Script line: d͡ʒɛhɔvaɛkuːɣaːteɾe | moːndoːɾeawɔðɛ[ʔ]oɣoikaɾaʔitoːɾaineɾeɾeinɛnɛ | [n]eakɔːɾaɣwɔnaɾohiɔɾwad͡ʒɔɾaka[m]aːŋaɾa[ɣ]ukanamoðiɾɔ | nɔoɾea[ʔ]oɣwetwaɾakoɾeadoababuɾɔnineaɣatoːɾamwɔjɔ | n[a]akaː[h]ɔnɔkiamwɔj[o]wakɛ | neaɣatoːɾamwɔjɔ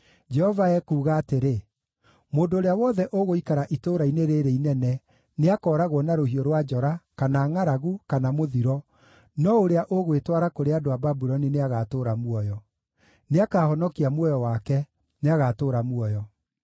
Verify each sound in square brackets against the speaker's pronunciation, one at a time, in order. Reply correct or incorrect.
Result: correct, correct, incorrect, correct, correct, incorrect, correct, incorrect

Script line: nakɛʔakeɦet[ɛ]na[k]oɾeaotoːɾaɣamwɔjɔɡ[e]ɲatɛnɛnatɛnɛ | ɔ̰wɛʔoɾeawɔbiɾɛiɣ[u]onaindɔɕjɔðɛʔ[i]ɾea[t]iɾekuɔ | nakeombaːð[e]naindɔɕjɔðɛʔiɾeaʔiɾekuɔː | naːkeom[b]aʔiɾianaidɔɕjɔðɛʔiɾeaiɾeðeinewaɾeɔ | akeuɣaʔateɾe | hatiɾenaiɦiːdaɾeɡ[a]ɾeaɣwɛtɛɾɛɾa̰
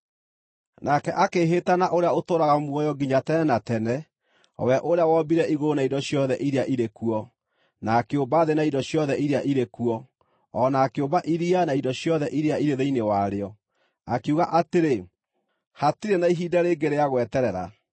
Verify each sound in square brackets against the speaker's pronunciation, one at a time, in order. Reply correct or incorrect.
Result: incorrect, incorrect, incorrect, incorrect, correct, incorrect, correct, correct, incorrect

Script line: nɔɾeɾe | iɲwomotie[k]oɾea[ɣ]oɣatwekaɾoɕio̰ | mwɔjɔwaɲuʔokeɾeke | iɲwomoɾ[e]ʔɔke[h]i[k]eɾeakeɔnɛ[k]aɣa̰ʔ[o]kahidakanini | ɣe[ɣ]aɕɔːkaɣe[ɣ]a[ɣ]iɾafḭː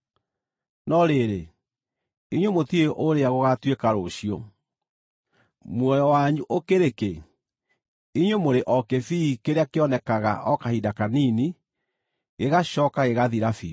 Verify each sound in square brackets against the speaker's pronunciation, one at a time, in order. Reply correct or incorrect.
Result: incorrect, correct, correct, incorrect, correct, correct, incorrect, correct, correct, incorrect

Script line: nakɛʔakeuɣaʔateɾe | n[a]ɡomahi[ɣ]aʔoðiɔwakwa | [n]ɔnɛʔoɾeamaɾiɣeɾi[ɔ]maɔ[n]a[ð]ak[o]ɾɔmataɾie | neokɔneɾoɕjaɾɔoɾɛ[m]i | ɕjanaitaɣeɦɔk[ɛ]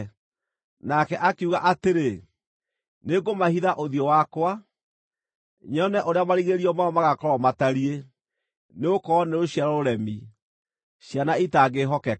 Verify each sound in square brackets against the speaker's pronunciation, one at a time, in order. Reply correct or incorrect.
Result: incorrect, incorrect, incorrect, correct, incorrect, incorrect, incorrect, correct, correct

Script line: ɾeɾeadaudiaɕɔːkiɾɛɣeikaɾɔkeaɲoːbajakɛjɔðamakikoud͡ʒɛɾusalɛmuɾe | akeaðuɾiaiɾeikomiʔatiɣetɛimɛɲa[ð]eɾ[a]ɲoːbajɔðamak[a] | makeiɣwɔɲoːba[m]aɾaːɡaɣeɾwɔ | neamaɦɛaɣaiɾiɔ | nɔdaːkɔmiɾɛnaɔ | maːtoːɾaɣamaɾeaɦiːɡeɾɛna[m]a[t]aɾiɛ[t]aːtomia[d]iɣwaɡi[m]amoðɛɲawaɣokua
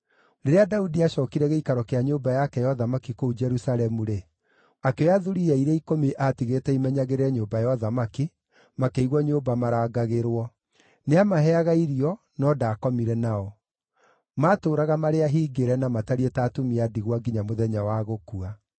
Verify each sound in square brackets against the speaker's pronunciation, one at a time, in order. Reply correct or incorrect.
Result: incorrect, incorrect, incorrect, correct, correct, correct, correct, correct, incorrect

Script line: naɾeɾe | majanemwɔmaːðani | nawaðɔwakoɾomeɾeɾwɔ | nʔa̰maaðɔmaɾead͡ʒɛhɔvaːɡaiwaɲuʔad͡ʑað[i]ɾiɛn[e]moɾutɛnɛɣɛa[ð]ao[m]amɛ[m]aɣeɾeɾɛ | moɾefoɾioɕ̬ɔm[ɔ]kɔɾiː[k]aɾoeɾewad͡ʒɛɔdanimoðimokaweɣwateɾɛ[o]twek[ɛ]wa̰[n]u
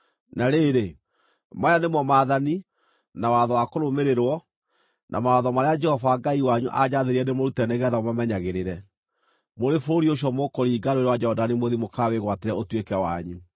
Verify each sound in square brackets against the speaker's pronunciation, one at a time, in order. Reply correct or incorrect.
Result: incorrect, correct, correct, correct, incorrect, incorrect, incorrect, correct, correct, incorrect

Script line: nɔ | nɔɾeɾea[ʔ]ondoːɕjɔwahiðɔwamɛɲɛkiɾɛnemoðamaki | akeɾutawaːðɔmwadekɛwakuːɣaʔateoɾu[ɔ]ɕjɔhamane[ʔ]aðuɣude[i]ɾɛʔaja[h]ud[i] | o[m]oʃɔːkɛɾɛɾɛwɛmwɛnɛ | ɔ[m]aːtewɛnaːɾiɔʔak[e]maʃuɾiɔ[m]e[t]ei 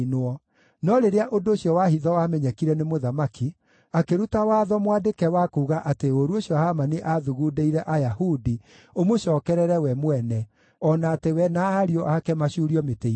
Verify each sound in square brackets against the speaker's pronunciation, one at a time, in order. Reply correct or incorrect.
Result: correct, incorrect, correct, correct, correct, correct, correct, incorrect, incorrect, correct, correct

